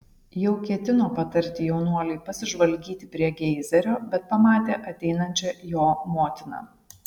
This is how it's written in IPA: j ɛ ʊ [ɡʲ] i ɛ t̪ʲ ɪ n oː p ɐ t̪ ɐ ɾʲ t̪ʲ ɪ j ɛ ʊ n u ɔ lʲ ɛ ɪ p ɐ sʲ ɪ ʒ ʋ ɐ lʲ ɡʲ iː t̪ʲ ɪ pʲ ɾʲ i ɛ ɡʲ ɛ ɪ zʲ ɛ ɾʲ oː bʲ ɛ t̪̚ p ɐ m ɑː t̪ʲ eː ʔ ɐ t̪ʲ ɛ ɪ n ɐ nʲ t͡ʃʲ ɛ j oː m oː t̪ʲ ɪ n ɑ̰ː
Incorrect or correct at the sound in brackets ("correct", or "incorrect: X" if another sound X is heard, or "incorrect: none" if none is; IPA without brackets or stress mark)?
incorrect: kʲ